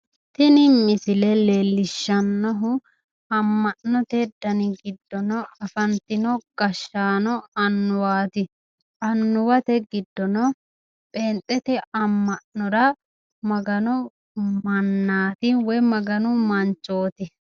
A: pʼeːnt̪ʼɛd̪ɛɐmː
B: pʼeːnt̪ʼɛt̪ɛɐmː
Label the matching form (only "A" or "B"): B